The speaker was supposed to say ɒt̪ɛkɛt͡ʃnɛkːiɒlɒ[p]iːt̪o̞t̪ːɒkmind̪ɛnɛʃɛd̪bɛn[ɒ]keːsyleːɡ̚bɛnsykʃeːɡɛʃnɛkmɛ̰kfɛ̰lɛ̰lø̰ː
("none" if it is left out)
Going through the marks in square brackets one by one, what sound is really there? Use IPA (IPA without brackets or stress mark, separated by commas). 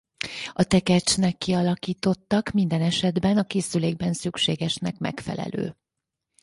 k, ɒ